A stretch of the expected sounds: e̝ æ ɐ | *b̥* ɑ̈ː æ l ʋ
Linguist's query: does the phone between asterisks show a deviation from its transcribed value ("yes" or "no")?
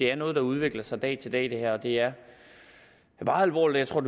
no